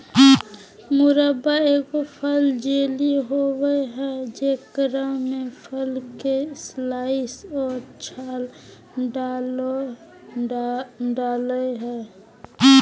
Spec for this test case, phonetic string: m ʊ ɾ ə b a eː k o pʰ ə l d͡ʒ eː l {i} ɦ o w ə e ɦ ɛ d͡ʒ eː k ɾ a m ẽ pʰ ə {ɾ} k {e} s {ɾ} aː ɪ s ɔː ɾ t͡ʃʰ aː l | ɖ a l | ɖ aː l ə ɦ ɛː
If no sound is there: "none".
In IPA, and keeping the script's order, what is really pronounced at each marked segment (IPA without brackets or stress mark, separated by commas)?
i, l, e, l